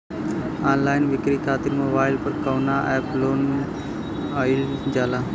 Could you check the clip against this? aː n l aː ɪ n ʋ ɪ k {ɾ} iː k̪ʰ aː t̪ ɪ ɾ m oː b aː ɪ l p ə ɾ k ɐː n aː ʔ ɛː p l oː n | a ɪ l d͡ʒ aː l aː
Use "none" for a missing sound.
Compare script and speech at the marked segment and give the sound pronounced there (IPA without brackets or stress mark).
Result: ɾ